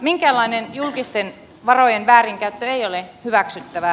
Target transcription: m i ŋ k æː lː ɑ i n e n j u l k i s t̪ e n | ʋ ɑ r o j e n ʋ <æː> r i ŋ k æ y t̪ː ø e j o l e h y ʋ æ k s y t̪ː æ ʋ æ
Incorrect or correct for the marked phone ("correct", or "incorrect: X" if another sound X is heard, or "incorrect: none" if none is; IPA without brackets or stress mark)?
correct